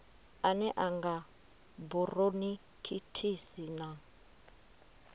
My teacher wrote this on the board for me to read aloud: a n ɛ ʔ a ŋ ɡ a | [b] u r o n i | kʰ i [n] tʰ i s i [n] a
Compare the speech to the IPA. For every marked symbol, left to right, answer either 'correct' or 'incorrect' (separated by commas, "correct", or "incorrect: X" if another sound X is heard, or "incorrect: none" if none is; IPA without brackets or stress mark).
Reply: correct, incorrect: none, correct